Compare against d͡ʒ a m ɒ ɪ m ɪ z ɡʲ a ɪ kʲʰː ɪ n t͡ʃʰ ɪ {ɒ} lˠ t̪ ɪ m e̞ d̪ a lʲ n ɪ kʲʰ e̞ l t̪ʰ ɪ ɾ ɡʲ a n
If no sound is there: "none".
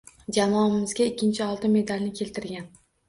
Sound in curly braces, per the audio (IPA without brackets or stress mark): ɒ